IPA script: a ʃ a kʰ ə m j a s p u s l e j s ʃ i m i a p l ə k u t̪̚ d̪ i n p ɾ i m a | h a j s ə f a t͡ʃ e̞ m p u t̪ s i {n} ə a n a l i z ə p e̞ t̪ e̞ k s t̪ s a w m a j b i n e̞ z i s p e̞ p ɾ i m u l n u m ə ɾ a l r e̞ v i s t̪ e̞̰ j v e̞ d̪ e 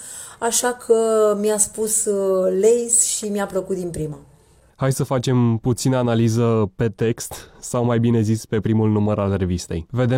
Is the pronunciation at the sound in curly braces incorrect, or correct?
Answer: correct